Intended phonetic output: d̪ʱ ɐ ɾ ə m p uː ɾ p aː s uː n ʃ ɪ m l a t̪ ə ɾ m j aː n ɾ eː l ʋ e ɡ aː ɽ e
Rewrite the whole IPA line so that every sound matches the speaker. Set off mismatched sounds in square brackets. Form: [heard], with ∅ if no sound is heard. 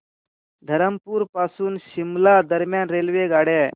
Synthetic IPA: d̪ʱ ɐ ɾ ə m p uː ɾ p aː s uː n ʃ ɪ m l a [d̪] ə ɾ m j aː n ɾ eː l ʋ e ɡ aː ɽ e